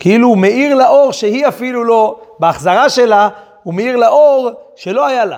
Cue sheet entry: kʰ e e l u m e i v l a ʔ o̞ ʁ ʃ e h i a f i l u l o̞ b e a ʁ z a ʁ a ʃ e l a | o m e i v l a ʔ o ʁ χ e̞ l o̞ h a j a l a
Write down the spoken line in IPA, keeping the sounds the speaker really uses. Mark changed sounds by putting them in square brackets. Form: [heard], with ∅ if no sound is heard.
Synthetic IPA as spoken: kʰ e [i] l u m e i [ʁ] l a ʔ o̞ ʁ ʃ e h i a f i l u l o̞ b e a [χ] z a ʁ a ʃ e l a | [u] m e i [ʁ] l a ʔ o ʁ [ʃ] e̞ l o̞ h a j a l a